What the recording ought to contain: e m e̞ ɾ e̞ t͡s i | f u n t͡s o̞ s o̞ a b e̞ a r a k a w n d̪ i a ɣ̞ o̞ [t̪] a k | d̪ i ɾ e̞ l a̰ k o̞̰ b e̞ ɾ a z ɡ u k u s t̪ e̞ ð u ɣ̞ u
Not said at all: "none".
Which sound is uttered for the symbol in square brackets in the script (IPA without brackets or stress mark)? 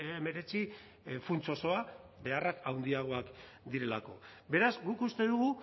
none